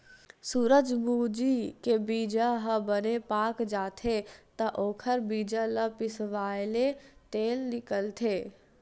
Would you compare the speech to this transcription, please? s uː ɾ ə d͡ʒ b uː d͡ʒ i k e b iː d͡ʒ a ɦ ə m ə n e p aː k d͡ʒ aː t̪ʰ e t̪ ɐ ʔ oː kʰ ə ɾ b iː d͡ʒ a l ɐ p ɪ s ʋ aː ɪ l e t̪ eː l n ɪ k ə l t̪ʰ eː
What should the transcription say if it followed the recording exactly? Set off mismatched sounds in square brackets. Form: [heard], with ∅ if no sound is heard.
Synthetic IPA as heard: s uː ɾ ə d͡ʒ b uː d͡ʒ i k e b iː d͡ʒ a ɦ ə [b] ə n e p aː k d͡ʒ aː t̪ʰ e t̪ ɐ ʔ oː kʰ ə ɾ b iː d͡ʒ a l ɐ p ɪ s ʋ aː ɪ l e t̪ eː l n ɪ k ə l t̪ʰ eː